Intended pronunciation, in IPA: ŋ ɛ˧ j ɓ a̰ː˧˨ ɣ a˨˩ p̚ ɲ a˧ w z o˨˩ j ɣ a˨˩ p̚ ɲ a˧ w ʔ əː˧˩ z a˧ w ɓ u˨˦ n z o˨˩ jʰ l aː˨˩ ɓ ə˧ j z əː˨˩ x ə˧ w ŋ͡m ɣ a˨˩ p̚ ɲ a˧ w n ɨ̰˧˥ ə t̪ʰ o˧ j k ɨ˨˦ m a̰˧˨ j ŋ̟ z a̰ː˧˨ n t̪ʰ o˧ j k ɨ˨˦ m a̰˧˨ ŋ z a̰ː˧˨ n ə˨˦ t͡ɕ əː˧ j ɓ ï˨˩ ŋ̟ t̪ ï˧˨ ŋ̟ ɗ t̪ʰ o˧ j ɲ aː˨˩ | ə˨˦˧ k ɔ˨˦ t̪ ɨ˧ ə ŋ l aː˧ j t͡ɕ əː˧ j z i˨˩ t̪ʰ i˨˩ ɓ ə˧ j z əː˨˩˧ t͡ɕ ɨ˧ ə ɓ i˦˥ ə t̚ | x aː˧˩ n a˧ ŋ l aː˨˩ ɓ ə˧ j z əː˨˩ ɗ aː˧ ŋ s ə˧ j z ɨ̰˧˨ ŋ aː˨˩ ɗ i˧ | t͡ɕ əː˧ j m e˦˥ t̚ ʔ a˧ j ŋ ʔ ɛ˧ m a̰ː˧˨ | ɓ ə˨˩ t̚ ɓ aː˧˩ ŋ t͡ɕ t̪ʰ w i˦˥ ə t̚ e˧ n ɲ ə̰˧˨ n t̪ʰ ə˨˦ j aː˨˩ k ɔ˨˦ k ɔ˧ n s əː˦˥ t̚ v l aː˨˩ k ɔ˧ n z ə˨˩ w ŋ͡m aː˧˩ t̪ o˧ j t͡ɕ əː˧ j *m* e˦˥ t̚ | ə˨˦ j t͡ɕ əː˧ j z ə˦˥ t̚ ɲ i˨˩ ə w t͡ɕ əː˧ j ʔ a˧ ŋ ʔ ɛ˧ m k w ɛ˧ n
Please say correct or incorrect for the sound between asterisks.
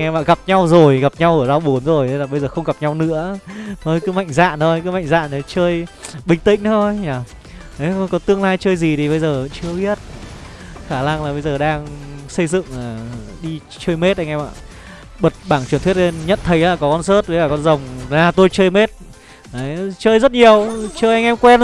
correct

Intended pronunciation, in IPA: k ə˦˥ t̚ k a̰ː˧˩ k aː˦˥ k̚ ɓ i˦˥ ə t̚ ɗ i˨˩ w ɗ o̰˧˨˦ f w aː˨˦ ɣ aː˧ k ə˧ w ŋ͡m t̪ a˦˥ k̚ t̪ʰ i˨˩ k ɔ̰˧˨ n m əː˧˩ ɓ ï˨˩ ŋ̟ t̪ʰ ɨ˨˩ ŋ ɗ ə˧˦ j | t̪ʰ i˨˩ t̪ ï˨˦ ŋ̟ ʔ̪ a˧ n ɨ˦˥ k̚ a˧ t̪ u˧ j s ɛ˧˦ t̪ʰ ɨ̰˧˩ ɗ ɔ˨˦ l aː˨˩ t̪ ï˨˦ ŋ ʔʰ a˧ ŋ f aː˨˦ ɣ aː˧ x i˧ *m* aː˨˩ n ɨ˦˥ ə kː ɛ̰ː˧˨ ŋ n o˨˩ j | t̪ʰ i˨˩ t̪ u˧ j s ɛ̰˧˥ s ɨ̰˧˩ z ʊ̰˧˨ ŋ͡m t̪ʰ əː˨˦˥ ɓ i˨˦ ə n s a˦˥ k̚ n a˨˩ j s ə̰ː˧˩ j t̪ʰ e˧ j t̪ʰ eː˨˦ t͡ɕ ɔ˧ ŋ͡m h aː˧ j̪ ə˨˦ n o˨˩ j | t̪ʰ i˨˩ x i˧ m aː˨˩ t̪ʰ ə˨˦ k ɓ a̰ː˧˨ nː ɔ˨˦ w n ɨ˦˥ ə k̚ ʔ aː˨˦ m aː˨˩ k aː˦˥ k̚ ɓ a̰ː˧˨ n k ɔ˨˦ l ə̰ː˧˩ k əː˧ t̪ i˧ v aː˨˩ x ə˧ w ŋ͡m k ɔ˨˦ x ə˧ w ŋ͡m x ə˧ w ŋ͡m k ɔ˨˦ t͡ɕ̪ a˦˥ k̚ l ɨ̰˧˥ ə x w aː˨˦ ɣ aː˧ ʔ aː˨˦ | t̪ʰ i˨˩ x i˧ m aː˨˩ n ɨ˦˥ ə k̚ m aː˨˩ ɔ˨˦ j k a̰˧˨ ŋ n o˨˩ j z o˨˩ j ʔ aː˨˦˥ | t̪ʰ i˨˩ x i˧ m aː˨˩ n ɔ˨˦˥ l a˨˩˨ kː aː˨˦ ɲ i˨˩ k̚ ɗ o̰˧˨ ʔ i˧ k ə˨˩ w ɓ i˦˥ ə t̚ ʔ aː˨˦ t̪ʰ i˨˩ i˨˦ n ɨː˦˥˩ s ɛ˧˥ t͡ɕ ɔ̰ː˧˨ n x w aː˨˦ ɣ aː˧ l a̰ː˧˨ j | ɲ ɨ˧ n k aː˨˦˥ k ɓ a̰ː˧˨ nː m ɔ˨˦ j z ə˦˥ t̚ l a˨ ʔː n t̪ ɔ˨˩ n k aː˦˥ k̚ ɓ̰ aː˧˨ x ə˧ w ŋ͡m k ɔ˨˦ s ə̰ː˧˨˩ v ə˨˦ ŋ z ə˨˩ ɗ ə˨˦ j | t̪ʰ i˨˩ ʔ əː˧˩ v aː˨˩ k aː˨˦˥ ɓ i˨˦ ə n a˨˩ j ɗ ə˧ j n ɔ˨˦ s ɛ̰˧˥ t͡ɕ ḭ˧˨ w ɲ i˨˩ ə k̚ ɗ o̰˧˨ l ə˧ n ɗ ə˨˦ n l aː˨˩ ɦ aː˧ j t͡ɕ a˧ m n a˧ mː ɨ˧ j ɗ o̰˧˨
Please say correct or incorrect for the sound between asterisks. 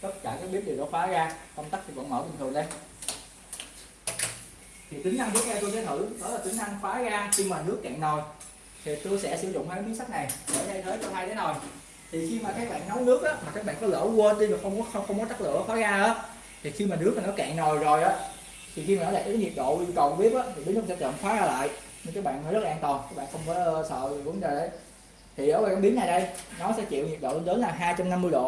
correct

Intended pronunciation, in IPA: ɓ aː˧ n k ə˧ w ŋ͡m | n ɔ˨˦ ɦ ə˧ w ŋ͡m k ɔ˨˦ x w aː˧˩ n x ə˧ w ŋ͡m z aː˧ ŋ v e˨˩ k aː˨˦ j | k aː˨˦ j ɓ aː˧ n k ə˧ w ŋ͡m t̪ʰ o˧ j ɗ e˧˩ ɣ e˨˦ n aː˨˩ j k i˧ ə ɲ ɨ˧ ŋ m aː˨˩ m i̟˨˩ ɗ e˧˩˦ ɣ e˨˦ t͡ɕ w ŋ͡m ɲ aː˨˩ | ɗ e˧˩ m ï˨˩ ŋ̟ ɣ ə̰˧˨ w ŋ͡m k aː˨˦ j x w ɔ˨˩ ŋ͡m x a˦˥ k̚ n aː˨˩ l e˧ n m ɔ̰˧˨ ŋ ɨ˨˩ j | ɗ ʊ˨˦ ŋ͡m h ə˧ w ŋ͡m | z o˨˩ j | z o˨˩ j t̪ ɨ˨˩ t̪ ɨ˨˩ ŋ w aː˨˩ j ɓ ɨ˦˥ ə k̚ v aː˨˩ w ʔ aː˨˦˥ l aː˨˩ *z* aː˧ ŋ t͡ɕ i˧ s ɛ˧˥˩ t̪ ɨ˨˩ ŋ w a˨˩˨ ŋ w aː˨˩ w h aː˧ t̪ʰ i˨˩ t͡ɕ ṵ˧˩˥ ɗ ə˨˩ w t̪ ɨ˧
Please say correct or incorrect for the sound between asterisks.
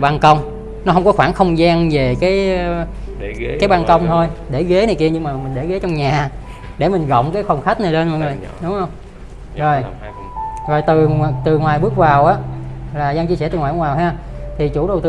correct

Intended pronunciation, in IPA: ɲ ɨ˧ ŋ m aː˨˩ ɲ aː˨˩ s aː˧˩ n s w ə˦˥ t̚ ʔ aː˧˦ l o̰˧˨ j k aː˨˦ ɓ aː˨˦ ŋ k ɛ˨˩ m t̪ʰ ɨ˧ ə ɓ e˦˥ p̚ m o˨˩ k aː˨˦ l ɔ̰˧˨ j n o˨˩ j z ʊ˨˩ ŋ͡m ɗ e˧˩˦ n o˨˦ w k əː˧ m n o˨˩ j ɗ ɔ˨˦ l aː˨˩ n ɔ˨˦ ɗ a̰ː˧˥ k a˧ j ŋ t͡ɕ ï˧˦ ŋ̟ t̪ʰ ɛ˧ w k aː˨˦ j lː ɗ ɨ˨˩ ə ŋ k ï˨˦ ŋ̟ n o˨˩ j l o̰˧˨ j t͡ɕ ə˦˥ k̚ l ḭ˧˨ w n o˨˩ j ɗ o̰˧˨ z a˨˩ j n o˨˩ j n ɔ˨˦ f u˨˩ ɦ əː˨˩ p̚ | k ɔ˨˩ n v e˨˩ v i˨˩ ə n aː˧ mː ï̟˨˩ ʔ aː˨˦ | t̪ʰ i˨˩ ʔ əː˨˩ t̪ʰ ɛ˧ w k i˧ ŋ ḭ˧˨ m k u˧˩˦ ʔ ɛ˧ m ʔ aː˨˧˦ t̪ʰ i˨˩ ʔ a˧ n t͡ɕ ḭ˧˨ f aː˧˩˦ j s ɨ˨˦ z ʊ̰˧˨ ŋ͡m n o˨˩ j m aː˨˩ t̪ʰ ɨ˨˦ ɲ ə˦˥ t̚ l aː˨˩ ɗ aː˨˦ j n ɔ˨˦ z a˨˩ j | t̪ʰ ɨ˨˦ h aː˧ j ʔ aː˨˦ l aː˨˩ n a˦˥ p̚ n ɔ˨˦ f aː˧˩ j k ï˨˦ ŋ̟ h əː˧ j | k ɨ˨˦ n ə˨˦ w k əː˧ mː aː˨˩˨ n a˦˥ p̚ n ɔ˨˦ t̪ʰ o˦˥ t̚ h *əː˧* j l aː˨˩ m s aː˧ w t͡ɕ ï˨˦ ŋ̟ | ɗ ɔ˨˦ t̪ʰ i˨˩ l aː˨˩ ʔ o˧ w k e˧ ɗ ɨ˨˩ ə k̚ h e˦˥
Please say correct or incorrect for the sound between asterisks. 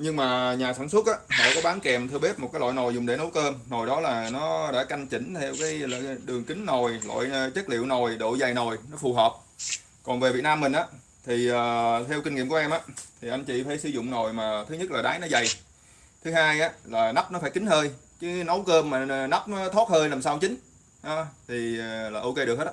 correct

